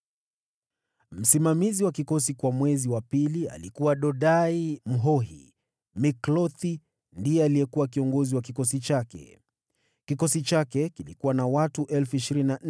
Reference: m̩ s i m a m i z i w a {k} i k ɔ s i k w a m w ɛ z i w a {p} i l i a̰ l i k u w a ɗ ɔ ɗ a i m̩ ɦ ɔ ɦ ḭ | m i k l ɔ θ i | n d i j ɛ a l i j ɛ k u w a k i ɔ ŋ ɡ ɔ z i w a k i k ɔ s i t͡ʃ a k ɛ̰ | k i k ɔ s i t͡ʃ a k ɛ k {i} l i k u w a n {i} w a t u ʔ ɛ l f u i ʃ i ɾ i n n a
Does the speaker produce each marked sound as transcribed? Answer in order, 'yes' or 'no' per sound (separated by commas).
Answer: yes, yes, yes, no